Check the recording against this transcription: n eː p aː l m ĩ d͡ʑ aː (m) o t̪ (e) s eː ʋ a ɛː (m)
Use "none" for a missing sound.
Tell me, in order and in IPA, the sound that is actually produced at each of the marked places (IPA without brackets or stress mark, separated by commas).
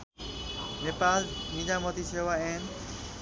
m, i, n